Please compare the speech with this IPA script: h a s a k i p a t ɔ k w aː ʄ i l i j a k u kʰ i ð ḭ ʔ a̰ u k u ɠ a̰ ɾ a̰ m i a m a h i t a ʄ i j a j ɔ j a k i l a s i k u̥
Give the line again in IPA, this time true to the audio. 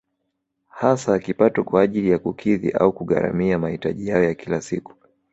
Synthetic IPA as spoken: h a s a k i p a t ɔ k w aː ʄ i l i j a k u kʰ i ð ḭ ʔ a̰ u k u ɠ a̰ ɾ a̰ m i a m a h i t a ʄ i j a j ɔ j a k i l a s i k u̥